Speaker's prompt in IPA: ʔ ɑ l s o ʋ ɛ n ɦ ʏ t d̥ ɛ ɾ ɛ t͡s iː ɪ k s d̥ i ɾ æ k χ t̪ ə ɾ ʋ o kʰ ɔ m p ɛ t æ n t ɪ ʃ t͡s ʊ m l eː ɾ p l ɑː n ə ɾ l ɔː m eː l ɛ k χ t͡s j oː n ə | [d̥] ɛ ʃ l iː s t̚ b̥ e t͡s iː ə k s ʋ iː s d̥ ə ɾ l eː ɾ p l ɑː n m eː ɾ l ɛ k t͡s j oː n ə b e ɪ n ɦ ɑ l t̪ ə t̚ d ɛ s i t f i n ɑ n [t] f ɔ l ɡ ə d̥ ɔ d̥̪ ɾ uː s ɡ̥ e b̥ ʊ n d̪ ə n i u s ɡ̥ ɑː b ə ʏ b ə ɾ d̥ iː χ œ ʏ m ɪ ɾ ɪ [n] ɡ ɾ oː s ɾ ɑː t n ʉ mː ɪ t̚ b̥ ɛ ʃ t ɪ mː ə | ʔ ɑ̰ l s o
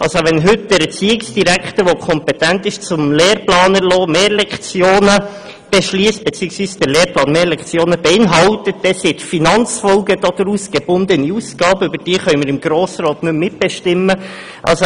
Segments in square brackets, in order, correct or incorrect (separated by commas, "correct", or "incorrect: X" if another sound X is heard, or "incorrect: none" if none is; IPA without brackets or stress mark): incorrect: b̥, incorrect: t͡s, incorrect: m